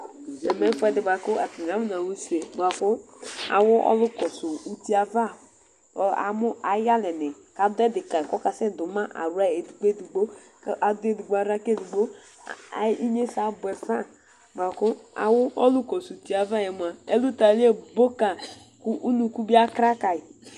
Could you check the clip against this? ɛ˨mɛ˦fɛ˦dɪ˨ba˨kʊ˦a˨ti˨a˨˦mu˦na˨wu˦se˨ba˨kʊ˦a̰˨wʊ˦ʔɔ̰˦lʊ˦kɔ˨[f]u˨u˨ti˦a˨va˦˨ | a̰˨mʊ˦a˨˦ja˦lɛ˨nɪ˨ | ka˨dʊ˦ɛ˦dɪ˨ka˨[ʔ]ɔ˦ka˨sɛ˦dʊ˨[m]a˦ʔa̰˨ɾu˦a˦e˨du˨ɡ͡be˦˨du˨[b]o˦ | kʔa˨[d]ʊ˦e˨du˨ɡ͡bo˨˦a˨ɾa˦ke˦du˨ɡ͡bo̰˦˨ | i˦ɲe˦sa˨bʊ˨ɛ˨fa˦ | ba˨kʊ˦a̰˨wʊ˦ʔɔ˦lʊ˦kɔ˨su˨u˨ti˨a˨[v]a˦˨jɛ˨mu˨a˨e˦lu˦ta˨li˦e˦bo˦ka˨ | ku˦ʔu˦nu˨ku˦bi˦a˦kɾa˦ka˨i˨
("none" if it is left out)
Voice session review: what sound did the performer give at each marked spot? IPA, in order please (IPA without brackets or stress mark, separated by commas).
s, k, m, ɡ͡b, d, v